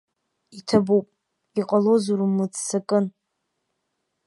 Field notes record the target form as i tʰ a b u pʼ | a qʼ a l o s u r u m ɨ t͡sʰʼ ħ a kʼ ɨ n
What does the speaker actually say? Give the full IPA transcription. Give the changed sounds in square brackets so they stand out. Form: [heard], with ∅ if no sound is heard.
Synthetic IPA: i tʰ a b u pʼ | [i] qʼ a l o [z] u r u m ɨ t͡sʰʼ [s] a kʼ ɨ n